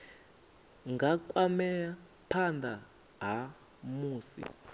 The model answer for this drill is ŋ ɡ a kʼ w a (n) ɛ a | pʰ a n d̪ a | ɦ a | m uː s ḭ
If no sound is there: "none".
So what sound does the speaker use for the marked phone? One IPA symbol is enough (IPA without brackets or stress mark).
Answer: m